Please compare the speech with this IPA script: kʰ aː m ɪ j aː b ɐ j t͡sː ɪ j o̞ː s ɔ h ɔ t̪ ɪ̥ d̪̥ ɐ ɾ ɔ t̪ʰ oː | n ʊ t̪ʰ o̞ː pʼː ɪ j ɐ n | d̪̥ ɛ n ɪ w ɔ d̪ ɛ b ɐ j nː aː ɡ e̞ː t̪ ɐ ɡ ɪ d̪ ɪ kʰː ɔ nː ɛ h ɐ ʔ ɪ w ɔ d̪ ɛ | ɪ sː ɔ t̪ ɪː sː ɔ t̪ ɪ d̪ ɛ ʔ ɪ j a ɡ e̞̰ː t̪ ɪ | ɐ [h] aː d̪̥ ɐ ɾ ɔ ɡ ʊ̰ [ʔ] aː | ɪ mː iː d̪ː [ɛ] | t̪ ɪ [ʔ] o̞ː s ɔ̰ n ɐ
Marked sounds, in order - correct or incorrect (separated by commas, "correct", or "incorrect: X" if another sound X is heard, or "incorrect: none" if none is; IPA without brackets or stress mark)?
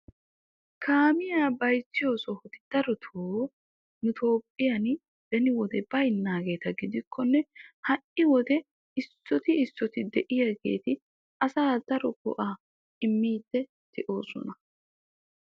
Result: incorrect: s, correct, correct, correct